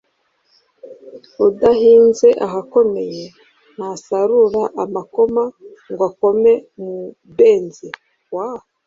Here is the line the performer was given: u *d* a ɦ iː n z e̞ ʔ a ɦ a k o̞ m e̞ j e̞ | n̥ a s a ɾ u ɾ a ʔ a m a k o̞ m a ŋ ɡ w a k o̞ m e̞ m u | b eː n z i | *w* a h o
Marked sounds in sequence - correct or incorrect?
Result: correct, correct

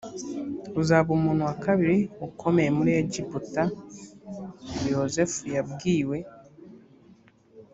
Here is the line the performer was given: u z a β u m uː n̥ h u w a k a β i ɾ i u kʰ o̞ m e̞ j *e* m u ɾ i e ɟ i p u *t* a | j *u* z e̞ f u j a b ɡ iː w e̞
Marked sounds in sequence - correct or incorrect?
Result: correct, correct, incorrect: o

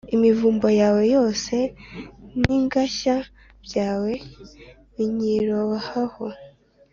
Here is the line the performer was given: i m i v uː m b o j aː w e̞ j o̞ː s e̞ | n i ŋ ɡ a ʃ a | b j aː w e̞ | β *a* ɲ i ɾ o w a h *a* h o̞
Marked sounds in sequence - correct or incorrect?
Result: incorrect: i, correct

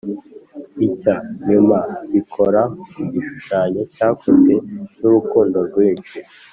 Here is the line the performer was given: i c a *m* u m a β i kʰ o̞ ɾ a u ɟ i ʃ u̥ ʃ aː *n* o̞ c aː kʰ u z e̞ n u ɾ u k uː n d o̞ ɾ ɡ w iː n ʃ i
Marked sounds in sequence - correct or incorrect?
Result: incorrect: ɲ, incorrect: ɲ

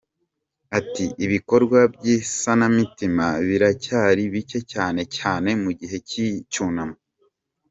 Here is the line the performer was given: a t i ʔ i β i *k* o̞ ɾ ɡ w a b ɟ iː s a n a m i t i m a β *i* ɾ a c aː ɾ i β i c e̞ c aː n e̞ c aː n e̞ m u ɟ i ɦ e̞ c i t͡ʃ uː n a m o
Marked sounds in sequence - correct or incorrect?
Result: correct, correct

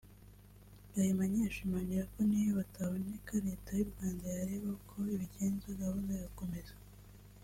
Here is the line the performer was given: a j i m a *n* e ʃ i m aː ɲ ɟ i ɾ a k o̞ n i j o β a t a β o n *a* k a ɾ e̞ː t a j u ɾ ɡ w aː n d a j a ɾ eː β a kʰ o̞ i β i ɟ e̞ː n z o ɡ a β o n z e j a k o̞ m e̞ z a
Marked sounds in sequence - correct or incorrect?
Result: incorrect: ɲ, incorrect: e

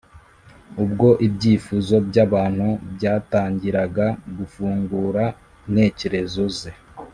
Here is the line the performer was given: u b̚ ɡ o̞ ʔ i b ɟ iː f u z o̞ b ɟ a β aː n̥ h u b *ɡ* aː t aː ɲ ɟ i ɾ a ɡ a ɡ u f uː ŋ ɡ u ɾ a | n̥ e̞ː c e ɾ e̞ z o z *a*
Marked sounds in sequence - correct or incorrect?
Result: incorrect: ɟ, incorrect: e

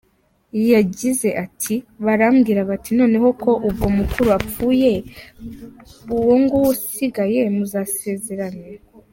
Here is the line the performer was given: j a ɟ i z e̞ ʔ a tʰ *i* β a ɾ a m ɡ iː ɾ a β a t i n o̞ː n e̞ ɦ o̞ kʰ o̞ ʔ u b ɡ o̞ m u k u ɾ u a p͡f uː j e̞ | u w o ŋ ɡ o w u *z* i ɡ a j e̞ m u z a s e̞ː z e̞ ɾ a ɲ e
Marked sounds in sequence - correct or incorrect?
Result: correct, incorrect: s

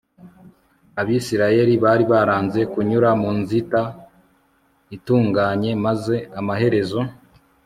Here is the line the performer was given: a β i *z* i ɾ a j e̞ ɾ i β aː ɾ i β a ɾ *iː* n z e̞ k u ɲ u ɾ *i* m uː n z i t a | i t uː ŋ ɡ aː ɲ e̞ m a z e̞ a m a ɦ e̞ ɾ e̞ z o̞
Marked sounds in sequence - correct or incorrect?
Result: incorrect: s, incorrect: aː, incorrect: a

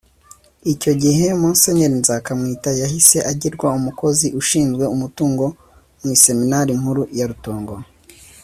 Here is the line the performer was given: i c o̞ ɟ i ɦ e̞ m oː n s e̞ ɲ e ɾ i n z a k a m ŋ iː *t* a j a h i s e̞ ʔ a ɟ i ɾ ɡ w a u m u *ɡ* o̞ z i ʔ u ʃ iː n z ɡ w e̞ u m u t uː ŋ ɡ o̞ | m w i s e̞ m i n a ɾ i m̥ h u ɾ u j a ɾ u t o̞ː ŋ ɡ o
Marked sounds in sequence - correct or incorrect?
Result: correct, incorrect: k

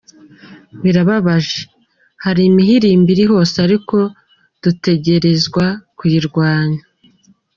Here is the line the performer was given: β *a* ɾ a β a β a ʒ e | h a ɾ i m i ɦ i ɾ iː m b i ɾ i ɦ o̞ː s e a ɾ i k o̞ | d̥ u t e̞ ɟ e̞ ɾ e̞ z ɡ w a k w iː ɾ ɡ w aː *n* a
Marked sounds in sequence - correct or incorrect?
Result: incorrect: i, incorrect: ɲ

